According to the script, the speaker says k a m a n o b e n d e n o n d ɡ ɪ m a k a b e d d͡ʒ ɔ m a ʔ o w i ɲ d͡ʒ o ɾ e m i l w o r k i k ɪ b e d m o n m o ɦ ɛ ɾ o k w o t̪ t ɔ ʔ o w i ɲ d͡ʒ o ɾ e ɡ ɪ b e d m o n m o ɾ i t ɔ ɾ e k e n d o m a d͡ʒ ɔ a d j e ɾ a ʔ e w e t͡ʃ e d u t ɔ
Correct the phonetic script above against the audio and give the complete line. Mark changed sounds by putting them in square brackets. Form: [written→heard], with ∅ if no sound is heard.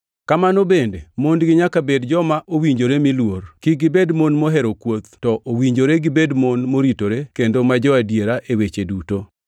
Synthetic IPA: k a m a n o b e n d e [n→m] o n d ɡ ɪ [m→ɲ] a k a b e d d͡ʒ ɔ m a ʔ o w i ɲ d͡ʒ o ɾ e m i l w o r k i [k→ɡ] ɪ b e d m o n m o ɦ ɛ ɾ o k w o t̪ t ɔ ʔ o w i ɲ d͡ʒ o ɾ e ɡ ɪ b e d m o n m o ɾ i t [ɔ→o] ɾ e k e n d o m a d͡ʒ ɔ a d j e ɾ a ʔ e w e t͡ʃ e d u t [ɔ→o]